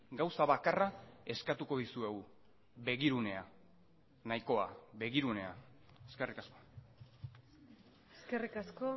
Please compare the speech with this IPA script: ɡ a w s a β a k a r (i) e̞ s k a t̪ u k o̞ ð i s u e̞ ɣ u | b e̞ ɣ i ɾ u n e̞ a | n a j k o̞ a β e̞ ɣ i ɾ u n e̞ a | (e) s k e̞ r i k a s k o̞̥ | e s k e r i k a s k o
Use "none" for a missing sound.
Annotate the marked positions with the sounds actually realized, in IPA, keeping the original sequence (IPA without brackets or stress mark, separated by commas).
a, e